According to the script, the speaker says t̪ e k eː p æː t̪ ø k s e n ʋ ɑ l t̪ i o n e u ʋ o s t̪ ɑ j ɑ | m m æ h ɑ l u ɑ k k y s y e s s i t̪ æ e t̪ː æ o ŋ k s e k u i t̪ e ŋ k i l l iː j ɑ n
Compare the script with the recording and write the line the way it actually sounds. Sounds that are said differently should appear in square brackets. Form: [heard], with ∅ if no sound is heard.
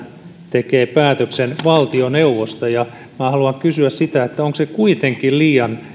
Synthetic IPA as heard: t̪ e k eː p æː t̪ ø k s e n ʋ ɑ l t̪ i o n e u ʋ o s t̪ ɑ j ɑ | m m æ h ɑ l u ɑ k k y s y [æ] s s i t̪ æ e t̪ː æ o ŋ k s e k u i t̪ e ŋ k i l l iː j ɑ n